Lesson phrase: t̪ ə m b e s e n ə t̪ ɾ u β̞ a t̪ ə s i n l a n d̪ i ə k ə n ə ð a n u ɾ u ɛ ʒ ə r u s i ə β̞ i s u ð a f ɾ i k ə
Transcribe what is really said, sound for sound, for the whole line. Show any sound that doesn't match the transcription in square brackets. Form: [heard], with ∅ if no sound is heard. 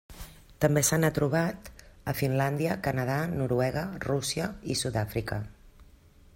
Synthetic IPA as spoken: t̪ ə m b e s [a] n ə t̪ ɾ u β̞ a t̪ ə [f] i n l a n d̪ i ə k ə n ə ð a n u ɾ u ɛ [ɣ] ə r u s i ə [∅] i s u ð a f ɾ i k ə